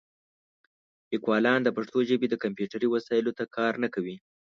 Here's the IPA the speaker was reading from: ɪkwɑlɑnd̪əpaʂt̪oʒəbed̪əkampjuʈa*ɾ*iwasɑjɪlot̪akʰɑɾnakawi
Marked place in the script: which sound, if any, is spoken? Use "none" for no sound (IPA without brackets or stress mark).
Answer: ɾ